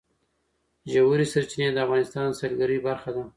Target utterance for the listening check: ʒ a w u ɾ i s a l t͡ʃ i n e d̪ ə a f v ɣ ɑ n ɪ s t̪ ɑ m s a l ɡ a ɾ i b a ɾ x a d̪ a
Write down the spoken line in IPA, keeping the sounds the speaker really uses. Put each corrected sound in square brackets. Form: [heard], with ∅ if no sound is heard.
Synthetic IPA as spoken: ʒ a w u ɾ i s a [ɾ] t͡ʃ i n e d̪ ə a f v ɣ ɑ n ɪ s t̪ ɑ [n] s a l ɡ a ɾ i b a ɾ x a d̪ a